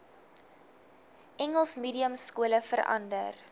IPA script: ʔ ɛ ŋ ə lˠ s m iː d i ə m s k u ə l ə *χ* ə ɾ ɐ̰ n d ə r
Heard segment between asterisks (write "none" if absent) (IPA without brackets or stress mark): f